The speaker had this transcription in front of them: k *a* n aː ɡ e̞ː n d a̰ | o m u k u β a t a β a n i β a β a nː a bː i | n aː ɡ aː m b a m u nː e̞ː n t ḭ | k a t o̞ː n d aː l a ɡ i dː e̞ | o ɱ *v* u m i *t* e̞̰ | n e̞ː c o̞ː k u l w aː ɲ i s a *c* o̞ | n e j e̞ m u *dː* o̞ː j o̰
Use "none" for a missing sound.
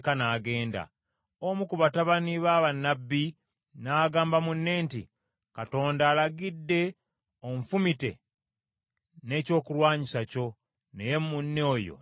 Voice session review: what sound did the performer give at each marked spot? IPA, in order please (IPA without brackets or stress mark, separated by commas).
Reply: a, f, t, c, nː